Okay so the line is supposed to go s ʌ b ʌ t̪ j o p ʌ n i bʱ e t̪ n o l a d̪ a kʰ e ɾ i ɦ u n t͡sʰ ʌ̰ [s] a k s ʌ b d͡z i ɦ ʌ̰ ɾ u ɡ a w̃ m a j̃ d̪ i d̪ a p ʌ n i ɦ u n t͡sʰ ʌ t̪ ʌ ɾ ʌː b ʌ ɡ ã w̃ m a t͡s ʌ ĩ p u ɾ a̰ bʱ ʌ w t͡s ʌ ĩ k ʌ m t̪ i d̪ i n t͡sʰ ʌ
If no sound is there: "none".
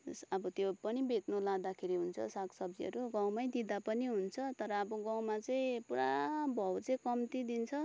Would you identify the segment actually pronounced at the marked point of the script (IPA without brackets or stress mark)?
s